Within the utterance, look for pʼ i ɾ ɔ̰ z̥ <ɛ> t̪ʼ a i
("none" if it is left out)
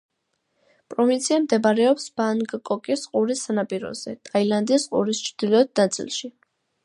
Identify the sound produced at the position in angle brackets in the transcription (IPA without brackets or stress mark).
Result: ɛ